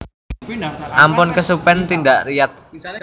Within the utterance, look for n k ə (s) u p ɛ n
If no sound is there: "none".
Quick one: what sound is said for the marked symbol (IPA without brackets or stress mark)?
s